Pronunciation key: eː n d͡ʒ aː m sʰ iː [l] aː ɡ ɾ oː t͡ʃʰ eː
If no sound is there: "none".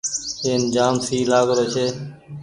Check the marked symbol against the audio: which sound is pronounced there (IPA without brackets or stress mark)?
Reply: l